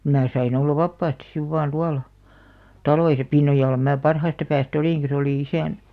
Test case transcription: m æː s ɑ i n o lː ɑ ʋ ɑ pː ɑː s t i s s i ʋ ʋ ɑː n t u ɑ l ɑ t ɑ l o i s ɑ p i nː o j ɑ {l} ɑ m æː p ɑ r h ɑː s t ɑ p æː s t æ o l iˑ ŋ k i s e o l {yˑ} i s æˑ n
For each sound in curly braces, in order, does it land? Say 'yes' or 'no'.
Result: no, no

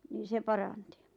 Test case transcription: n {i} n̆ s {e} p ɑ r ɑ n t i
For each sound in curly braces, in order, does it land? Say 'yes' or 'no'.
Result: no, yes

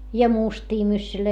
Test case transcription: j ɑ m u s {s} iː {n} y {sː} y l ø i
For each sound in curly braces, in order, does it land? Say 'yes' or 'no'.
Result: no, no, yes

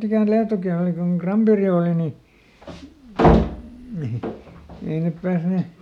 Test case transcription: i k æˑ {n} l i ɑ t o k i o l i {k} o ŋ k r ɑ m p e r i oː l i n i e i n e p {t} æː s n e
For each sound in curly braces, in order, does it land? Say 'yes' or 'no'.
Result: yes, yes, no

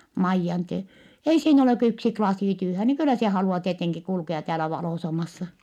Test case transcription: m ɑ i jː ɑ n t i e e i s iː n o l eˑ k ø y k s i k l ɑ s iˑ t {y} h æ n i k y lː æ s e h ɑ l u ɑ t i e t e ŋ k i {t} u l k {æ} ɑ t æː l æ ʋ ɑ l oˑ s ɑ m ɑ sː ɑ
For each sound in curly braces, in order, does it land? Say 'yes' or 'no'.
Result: no, no, no

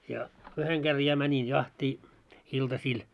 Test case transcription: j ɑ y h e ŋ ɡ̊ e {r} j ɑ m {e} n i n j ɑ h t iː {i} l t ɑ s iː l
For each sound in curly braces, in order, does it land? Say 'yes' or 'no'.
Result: yes, no, yes

